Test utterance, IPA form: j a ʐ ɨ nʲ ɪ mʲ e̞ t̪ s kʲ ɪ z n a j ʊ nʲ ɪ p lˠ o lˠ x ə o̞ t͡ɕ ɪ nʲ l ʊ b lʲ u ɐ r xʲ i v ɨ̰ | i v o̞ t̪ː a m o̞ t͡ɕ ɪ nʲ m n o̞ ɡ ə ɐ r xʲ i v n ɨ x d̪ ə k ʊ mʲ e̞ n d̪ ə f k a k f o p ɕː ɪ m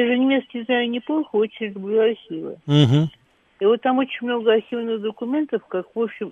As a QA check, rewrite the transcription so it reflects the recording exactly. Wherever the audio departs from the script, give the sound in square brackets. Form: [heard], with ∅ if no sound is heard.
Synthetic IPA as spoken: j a ʐ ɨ nʲ ɪ mʲ e̞ t̪ s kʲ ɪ z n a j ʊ nʲ ɪ p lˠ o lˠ x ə o̞ t͡ɕ ɪ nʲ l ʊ b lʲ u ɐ r xʲ i v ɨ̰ | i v o̞ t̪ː a m o̞ t͡ɕ ɪ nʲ m n o̞ ɡ ə ɐ r xʲ i v n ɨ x d̪ ə k ʊ mʲ e̞ n [t̪] ə f k a k [v] o p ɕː ɪ m